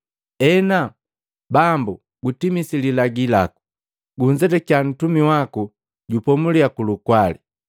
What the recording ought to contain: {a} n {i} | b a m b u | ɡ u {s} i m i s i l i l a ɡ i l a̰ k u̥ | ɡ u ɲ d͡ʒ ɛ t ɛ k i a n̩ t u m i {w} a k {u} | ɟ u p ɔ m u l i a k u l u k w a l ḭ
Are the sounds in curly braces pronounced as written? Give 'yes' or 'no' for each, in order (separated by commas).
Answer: no, no, no, yes, yes